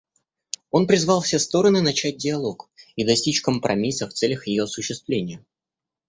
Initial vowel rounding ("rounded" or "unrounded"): rounded